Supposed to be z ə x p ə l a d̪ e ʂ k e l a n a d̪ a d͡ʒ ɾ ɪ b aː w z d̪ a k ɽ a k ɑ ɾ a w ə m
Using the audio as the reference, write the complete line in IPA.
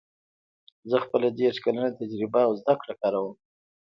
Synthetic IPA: z ə x p ə l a d̪ e ʂ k a l a n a t̪ a d͡ʒ ɾ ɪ b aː w z d̪ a k ɽ a k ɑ ɾ a w ə m